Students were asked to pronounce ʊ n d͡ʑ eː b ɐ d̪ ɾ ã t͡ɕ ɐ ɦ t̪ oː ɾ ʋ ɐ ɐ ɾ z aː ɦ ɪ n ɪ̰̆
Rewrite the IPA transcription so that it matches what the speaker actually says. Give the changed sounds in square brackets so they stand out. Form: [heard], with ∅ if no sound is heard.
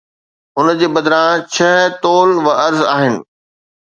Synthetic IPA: ʊ n d͡ʑ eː b ɐ d̪ ɾ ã [t͡ɕʰ] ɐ ɦ t̪ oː [l] ʋ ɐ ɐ ɾ z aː ɦ ɪ n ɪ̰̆